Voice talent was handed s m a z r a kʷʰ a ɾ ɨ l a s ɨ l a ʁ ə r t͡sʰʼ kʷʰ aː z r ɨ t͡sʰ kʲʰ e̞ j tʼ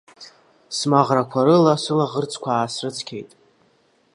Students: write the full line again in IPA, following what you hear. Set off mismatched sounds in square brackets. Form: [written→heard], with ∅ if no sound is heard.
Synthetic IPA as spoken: s m a [z→ʁ] r a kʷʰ a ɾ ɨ l a s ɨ l a ʁ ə r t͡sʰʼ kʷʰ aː [z→s] r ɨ t͡sʰ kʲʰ e̞ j tʼ